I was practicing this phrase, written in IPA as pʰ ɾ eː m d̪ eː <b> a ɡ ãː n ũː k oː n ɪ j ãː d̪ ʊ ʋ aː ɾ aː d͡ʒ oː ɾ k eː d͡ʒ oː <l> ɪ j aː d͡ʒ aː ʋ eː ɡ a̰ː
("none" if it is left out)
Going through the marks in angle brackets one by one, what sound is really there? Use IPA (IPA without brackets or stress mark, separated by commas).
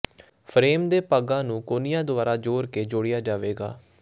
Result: p, ɽ